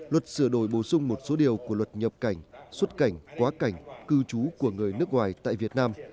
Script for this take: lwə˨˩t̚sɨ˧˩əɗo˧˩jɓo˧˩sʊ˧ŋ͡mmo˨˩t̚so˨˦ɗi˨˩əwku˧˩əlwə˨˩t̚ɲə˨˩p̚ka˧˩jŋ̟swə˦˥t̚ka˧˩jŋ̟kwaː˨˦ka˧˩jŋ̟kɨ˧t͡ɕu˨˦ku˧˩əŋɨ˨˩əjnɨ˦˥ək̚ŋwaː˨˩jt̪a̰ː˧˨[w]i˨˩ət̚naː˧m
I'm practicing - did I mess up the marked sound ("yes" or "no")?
yes